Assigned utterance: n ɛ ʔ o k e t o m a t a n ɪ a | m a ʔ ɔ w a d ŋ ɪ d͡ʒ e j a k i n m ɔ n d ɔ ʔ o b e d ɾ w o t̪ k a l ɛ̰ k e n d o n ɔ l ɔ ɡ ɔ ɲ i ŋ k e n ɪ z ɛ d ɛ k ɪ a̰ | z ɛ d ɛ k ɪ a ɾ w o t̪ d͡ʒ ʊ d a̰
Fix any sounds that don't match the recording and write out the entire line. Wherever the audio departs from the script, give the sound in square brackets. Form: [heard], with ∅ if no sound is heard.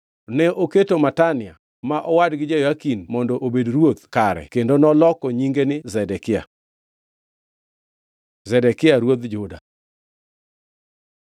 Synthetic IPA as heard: n ɛ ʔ o k e t o m a t a n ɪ a | m a ʔ ɔ w a d [ɡ] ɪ d͡ʒ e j a k i n m ɔ n d ɔ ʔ o b e d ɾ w o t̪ k a [ɾ] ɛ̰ k e n d o n ɔ l ɔ [k] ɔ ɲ i ŋ [ɡ] e n ɪ z ɛ d ɛ k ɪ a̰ | z ɛ d ɛ k ɪ a ɾ w o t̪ d͡ʒ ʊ d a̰